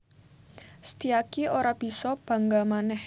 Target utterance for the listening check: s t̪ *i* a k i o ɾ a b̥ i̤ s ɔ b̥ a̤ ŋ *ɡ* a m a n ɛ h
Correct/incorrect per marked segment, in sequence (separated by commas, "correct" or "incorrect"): correct, correct